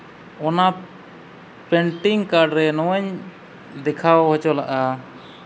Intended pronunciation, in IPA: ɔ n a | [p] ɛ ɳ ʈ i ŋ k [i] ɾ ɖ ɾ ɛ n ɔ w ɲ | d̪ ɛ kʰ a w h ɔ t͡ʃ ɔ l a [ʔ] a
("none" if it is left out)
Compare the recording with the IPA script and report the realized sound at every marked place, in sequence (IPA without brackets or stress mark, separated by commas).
p, a, ʔ